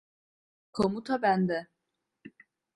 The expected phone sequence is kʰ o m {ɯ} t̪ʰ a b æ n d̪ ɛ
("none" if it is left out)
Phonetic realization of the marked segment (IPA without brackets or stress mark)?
u